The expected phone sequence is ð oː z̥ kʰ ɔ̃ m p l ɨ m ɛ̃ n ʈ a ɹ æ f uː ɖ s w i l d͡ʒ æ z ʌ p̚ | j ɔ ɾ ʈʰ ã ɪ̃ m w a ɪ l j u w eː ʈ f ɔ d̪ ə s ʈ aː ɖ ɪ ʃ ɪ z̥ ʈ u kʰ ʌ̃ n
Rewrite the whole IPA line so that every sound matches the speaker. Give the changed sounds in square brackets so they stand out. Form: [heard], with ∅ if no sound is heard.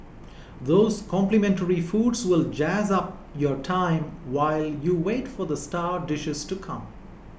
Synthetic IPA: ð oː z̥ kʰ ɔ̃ m p l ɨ m ɛ̃ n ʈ [ə] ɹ [i] f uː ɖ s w [ɪ] l d͡ʒ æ z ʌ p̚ | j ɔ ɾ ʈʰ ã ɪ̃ m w a ɪ l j u w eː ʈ f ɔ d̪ ə s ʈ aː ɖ ɪ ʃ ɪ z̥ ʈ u kʰ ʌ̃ [m]